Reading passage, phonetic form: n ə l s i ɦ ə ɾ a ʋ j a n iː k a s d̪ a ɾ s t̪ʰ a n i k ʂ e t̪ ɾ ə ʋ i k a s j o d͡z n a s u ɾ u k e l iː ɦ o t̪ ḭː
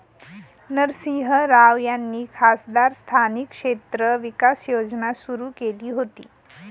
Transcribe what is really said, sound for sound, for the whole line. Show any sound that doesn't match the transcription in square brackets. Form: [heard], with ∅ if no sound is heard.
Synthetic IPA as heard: n ə [ɾ] s i ɦ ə ɾ a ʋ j a [nː] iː [kʰ] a s d̪ a ɾ s t̪ʰ a n i k ʂ e t̪ ɾ ə ʋ i k a s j o d͡z n a s u ɾ u k e l iː ɦ o t̪ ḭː